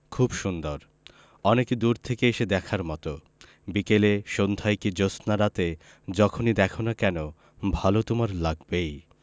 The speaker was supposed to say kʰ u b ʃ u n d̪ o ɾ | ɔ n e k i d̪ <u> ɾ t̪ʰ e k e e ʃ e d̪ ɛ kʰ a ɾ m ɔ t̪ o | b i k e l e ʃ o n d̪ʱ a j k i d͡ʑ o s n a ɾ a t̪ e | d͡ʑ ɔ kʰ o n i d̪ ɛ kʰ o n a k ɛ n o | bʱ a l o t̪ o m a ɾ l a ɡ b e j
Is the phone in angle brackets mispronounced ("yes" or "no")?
no